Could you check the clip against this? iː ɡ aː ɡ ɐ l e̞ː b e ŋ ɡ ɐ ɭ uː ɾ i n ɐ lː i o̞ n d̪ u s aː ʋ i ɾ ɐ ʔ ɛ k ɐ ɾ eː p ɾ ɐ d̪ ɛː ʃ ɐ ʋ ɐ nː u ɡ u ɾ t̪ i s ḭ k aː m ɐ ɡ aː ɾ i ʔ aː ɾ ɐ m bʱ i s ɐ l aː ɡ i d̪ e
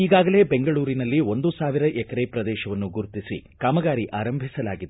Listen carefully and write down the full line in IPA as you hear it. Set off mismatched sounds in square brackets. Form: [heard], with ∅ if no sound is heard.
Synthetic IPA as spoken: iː ɡ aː ɡ ɐ l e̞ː b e ŋ ɡ ɐ ɭ uː ɾ i n ɐ lː i o̞ n d̪ u s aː ʋ i ɾ ɐ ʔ ɛ k ɐ ɾ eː p ɾ ɐ d̪ ɛː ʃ ɐ ʋ ɐ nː u ɡ u ɾ t̪ i s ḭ k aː m ɐ ɡ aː ɾ i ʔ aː ɾ ɐ m bʱ i s ɐ l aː ɡ i d̪ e